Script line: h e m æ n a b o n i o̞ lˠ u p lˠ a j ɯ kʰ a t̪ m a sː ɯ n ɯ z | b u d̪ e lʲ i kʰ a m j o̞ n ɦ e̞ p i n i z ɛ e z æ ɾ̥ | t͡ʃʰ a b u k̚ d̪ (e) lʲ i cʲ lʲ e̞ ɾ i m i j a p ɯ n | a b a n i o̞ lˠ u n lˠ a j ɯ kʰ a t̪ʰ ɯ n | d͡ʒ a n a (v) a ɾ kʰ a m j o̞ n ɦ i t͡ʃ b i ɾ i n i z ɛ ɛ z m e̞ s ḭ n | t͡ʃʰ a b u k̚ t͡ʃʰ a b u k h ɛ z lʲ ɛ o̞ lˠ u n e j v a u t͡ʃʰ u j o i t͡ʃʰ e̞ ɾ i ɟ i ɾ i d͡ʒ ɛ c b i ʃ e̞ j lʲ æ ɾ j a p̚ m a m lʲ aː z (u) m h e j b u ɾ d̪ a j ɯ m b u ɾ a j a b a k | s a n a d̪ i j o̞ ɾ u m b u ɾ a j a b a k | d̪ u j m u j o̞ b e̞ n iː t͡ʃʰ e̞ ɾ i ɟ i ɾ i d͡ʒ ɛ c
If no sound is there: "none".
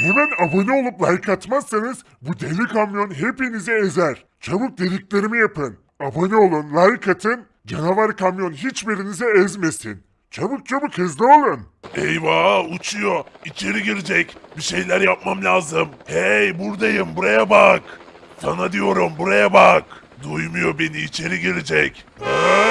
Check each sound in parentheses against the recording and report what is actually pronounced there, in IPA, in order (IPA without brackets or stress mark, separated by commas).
e, v, ɯ